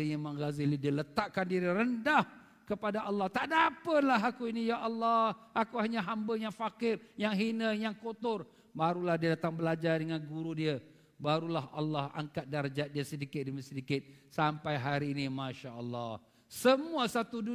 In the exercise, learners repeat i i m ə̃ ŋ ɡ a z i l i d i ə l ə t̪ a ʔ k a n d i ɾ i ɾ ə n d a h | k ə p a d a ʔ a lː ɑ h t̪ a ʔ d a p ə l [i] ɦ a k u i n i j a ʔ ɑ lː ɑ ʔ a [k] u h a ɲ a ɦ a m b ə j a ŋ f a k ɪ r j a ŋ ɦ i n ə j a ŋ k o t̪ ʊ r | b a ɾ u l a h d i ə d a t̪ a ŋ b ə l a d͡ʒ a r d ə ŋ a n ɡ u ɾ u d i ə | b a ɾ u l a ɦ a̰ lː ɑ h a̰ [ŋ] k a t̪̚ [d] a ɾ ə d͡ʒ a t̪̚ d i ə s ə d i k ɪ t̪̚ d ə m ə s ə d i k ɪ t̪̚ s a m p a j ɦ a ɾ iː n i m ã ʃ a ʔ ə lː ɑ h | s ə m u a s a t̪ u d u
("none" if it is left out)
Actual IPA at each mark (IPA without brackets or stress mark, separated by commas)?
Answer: a, k, ŋ, d